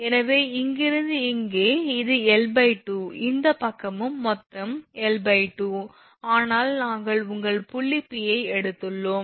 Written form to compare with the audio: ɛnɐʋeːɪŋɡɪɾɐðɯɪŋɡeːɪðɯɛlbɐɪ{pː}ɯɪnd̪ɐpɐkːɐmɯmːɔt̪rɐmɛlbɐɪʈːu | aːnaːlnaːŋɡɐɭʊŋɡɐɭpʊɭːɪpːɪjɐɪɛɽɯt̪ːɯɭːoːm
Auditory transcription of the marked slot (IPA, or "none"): ʈː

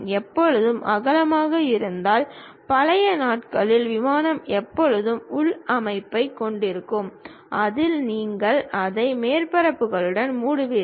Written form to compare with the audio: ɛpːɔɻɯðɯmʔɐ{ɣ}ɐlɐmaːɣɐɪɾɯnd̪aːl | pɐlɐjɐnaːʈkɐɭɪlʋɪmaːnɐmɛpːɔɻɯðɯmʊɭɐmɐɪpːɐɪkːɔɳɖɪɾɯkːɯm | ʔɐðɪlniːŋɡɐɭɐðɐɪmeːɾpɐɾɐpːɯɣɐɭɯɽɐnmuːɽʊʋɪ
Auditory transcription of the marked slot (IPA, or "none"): ɣ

